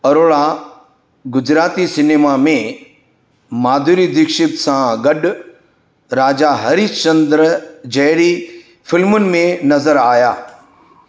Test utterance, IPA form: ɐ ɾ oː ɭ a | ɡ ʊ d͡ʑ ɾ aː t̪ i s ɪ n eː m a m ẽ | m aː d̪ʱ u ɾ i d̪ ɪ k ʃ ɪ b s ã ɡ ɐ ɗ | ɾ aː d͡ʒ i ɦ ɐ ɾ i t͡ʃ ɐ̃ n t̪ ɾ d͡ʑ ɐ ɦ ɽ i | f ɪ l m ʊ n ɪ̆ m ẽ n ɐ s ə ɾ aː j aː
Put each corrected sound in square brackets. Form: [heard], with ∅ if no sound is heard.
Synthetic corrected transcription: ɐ ɾ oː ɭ a | ɡ ʊ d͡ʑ ɾ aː t̪ i s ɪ n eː m a m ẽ | m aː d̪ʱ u ɾ i d̪ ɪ k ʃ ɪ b s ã ɡ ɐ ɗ | ɾ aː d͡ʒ [a] ɦ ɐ ɾ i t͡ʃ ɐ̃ n [d̪] ɾ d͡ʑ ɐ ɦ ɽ i | f ɪ l m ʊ n ɪ̆ m ẽ n ɐ [z] ə ɾ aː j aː